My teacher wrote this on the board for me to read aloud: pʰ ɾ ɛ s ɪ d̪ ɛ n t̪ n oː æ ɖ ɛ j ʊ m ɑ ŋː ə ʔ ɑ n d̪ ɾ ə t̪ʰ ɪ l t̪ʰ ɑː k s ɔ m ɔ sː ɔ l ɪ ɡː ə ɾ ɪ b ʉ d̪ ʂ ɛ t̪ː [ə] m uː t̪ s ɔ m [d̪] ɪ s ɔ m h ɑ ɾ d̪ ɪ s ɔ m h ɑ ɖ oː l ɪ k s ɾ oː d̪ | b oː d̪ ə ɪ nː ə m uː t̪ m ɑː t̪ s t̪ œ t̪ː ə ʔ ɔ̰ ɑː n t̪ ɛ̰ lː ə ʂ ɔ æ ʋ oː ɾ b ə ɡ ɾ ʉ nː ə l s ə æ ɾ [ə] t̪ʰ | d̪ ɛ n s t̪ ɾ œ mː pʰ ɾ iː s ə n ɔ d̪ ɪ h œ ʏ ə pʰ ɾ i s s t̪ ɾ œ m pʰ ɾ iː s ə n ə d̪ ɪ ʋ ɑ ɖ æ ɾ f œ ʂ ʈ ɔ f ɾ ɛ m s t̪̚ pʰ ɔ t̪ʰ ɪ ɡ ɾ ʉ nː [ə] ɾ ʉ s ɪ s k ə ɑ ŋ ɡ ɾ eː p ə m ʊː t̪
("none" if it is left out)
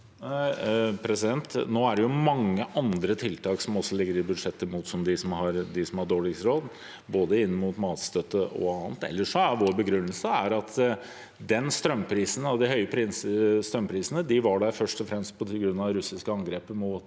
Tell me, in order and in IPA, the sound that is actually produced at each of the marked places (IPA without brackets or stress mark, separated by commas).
ə, d̪, ɑ, ɑ